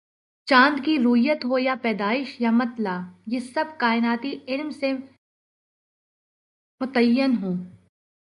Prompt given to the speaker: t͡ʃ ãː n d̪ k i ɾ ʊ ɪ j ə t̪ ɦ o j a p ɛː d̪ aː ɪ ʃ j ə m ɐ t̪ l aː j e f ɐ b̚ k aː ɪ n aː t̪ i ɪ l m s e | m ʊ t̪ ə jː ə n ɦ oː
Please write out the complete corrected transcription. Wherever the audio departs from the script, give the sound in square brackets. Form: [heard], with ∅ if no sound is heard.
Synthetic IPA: t͡ʃ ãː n d̪ k i ɾ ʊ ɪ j ə t̪ ɦ o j a p ɛː d̪ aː ɪ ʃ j [a] m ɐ t̪ l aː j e [s] ɐ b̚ k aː ɪ n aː t̪ i ɪ l m s e | m ʊ t̪ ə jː ə n ɦ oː